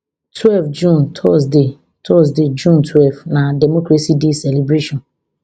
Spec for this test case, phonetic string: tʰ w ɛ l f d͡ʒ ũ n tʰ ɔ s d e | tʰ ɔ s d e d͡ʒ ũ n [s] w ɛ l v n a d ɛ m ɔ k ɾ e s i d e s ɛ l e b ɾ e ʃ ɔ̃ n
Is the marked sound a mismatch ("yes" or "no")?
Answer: yes